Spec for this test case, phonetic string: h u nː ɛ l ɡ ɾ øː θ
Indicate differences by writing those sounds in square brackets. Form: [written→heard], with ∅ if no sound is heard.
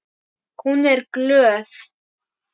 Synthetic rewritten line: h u [nː→n] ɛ [l→ɾ] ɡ [ɾ→l] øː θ